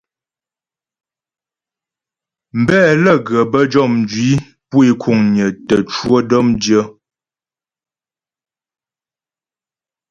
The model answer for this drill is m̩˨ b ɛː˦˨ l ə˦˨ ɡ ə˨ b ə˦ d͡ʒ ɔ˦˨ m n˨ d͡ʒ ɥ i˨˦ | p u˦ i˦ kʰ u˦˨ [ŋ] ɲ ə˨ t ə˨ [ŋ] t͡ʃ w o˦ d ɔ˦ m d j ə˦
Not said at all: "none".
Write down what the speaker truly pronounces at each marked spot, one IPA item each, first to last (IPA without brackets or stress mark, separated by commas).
ŋ, none